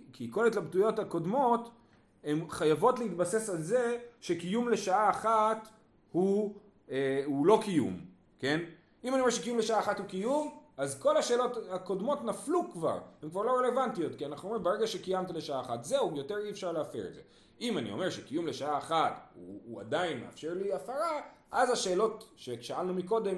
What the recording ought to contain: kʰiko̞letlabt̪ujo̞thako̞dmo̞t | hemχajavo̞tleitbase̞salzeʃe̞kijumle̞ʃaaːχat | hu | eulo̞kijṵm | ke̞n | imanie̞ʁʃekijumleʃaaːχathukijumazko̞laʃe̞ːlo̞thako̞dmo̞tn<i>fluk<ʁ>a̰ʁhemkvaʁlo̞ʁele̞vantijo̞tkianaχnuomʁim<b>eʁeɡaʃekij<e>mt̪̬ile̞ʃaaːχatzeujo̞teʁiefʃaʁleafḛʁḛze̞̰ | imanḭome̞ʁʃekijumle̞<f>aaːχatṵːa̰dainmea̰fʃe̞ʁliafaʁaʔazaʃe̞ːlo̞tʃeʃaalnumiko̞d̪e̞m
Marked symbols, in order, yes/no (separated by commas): no, no, yes, no, no